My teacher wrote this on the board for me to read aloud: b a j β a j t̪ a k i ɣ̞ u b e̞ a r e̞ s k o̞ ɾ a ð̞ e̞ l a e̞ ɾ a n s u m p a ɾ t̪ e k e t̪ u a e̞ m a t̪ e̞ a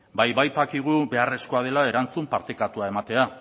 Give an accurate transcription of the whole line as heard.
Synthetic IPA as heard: b a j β a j t̪ a k i ɣ̞ u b e̞ a r e̞ s k o̞ a ð̞ e̞ l a e̞ ɾ a n t͡s u m p a ɾ t̪ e k a t̪ u a e̞ m a t̪ e̞ a